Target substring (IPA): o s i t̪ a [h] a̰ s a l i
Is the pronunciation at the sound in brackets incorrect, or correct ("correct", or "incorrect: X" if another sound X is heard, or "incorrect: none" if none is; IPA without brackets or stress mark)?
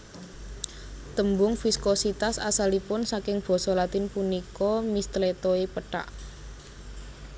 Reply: incorrect: s